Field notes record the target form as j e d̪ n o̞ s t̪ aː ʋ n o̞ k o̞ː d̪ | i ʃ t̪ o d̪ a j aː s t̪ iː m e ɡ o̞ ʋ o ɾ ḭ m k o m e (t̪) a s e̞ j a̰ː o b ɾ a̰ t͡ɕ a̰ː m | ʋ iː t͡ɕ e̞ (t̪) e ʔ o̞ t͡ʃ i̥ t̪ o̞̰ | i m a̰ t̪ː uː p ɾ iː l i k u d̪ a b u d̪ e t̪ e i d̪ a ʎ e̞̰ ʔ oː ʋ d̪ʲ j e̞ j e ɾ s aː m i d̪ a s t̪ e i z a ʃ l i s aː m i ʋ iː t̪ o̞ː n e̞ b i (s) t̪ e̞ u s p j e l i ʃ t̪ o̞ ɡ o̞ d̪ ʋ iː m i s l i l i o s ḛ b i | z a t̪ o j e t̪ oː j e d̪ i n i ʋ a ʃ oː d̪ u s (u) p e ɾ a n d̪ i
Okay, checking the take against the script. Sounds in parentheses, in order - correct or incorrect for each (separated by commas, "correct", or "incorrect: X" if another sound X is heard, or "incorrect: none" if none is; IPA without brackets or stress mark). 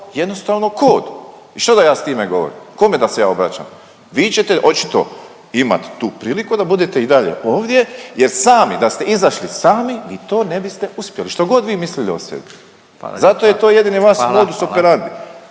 incorrect: d̪, correct, correct, incorrect: o